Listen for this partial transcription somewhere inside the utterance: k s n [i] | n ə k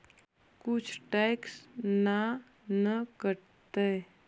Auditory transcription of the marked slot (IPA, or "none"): a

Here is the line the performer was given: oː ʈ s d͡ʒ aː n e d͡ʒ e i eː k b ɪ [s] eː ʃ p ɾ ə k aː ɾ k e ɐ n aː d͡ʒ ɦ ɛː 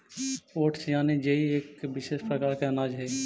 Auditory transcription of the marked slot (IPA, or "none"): ʃ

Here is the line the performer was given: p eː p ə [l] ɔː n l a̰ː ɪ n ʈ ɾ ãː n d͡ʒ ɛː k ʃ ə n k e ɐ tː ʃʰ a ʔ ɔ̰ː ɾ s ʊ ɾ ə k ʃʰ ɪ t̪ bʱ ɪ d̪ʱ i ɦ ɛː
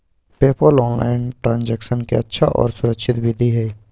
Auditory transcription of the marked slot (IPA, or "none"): l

